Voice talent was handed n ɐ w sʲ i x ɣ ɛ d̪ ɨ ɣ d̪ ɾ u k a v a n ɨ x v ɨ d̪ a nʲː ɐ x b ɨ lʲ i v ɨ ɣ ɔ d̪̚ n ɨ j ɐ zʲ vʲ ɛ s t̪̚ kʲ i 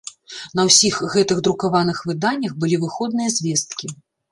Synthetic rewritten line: n ɐ w sʲ i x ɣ ɛ t̪ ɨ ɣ d̪ ɾ u k a v a n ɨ x v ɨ d̪ a nʲː ɐ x b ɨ lʲ i v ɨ x ɔ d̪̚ n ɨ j ɐ zʲ vʲ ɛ s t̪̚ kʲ i